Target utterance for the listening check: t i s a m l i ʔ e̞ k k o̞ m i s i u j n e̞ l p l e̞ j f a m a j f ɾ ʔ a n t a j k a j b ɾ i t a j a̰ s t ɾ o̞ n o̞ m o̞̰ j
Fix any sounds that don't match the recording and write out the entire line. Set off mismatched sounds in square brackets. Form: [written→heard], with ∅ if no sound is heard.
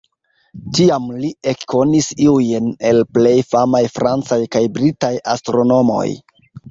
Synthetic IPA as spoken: t i [s→∅] a m l i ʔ e̞ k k o̞ [m→n] i s i u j n e̞ l p l e̞ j f a m a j f ɾ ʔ a n [t→t͡s] a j k a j b ɾ i t a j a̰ s t ɾ o̞ n o̞ m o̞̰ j